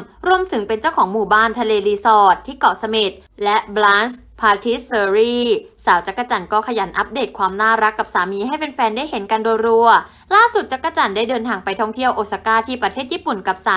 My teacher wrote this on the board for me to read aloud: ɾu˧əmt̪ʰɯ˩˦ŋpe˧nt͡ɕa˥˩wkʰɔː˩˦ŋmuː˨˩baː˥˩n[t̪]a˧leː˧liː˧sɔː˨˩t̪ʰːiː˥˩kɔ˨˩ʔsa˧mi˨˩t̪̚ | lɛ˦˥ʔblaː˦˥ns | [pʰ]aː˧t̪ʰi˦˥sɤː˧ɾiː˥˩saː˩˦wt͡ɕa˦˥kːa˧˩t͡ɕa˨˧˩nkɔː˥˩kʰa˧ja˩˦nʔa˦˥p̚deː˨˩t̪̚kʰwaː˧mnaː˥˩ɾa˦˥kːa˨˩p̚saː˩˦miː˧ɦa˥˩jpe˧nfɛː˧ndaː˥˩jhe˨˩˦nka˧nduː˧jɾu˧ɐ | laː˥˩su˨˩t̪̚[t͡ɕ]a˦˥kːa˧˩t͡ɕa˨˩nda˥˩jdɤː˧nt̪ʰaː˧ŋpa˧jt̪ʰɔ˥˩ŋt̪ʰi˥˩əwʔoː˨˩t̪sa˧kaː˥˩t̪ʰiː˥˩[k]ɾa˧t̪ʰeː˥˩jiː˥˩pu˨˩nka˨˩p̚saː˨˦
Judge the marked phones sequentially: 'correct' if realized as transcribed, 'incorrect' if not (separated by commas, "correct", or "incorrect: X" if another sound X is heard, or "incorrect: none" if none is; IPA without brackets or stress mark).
incorrect: t̪ʰ, correct, correct, incorrect: p